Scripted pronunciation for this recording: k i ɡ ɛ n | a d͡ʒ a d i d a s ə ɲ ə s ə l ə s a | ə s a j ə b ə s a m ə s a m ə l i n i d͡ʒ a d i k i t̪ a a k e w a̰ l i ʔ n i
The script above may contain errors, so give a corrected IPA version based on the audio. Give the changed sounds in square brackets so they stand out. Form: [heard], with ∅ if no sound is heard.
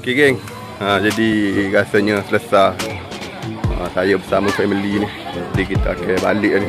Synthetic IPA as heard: k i ɡ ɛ [ŋ] | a d͡ʒ a d i [ɡ] a s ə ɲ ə s ə l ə s a | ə s a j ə b ə s a m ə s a m ə l i n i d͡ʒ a d i k i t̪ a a k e [b] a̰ l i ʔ n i